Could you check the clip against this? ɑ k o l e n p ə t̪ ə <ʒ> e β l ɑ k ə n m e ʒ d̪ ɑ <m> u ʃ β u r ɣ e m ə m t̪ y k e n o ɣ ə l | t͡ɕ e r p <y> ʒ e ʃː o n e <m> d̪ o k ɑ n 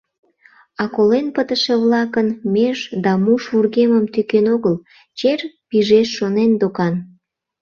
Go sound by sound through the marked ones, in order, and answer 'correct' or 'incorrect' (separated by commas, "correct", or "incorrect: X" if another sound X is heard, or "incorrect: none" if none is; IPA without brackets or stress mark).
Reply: incorrect: ʃ, correct, incorrect: i, incorrect: n